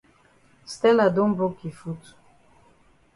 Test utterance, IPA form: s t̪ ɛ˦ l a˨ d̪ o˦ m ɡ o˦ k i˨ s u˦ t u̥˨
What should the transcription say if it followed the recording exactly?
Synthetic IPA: s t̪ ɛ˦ l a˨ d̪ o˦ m b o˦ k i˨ f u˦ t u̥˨